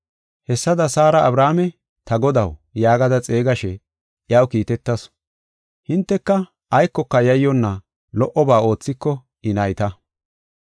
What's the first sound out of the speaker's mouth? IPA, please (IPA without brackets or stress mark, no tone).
h